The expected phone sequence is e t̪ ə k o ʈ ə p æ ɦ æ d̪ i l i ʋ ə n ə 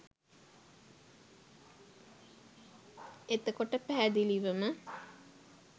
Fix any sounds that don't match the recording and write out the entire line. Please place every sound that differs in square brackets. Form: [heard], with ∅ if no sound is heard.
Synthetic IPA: e t̪ ə k o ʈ ə p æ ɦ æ d̪ i l i ʋ ə [m] ə